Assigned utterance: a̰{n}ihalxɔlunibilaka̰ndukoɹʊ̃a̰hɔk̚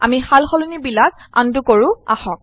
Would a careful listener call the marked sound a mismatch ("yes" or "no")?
yes